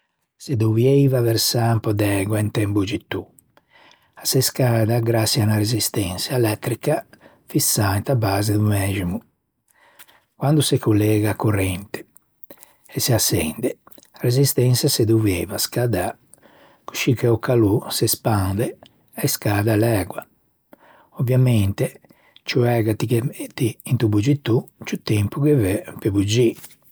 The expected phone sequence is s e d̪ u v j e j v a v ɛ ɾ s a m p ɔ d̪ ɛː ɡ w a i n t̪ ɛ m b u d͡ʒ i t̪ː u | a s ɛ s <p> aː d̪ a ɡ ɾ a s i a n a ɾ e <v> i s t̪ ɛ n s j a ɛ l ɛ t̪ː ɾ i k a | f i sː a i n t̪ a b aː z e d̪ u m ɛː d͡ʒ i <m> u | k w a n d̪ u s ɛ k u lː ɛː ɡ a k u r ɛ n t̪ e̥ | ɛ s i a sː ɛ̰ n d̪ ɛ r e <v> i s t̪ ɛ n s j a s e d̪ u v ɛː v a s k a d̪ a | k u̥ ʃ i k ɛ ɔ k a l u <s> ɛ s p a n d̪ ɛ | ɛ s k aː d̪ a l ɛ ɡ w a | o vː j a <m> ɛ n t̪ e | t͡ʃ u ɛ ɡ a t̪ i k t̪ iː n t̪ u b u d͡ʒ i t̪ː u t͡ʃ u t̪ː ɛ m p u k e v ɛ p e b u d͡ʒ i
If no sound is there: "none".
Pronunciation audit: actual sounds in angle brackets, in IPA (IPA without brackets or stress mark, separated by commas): k, z, m, z, s, m